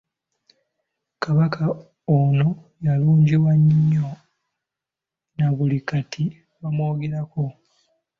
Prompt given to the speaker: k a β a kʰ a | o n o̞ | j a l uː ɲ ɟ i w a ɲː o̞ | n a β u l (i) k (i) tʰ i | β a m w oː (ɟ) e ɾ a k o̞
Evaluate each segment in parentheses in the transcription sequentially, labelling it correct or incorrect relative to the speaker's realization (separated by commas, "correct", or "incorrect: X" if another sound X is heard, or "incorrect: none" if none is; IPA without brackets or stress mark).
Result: correct, incorrect: a, incorrect: ɡ